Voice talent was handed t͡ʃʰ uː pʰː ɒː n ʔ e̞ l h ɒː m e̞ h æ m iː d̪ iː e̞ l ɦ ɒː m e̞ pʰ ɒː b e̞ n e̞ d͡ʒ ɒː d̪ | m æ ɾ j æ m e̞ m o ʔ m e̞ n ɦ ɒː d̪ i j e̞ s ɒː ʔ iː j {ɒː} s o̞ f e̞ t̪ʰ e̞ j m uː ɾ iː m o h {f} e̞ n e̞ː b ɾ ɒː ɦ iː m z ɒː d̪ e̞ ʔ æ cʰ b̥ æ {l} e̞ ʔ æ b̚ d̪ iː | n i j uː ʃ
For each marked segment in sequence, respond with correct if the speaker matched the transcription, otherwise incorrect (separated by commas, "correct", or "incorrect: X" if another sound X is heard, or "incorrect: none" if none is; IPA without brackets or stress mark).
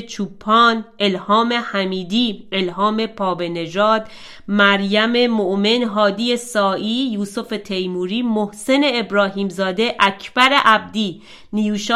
incorrect: uː, incorrect: s, incorrect: ɾ